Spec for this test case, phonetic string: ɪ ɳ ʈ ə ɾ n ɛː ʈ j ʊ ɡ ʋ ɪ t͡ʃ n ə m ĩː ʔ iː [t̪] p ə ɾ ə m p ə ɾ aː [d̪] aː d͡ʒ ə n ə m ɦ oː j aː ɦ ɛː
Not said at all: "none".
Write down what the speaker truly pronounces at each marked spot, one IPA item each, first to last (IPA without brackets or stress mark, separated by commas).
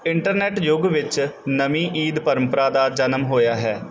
d̪, d̪